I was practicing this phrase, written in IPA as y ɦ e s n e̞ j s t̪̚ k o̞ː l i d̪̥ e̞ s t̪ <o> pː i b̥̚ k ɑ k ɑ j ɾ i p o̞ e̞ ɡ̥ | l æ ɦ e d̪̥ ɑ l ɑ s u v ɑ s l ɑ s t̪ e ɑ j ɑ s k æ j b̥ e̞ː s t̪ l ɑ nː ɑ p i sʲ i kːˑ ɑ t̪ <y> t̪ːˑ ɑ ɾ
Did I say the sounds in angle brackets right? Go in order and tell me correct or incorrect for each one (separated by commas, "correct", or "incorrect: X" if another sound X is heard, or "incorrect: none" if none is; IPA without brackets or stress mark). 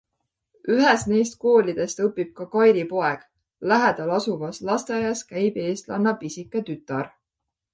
incorrect: ɤ, correct